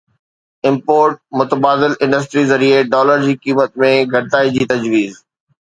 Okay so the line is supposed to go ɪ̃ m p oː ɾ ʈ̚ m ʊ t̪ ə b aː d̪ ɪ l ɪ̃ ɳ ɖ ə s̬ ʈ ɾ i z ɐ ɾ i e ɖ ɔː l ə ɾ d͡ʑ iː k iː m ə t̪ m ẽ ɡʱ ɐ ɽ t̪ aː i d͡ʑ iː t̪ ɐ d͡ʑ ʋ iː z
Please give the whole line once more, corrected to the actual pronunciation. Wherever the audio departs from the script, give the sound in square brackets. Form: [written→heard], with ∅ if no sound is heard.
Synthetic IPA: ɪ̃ m p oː ɾ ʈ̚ m ʊ t̪ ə b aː d̪ ɪ l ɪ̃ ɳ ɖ ə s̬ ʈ ɾ i z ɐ ɾ i e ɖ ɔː l ə ɾ d͡ʑ iː k iː m ə t̪ m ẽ ɡʱ ɐ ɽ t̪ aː i d͡ʑ iː t̪ ɐ d͡ʑ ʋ iː z

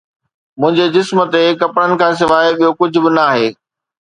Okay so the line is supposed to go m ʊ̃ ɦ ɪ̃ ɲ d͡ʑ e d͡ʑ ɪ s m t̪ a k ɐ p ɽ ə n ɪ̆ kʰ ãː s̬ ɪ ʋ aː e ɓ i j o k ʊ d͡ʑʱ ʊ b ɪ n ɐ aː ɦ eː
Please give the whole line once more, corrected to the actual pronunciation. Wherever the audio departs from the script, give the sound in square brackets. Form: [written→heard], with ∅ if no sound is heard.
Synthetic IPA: m ʊ̃ ɦ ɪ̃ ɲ d͡ʑ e d͡ʑ ɪ s m t̪ [a→e] k ɐ p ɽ ə n ɪ̆ kʰ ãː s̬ ɪ ʋ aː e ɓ i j o k ʊ d͡ʑʱ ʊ b ɪ n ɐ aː ɦ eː

